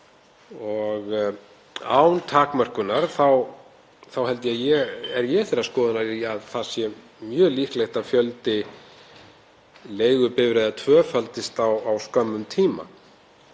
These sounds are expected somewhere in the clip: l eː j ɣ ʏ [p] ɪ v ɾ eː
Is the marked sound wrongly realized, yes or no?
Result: no